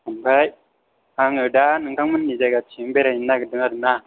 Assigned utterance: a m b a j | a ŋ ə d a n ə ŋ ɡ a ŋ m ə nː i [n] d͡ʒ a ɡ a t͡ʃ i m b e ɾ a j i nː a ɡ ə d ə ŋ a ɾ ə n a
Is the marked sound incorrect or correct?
incorrect